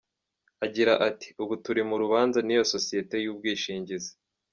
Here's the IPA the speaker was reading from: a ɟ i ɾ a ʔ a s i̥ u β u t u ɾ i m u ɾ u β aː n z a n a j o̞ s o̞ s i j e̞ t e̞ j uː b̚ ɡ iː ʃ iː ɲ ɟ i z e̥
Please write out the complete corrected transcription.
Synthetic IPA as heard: a ɟ i ɾ a ʔ a t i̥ u β u t u ɾ i m u ɾ u β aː n z a n i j o̞ s o̞ s i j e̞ t e̞ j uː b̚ ɡ iː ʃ iː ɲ ɟ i z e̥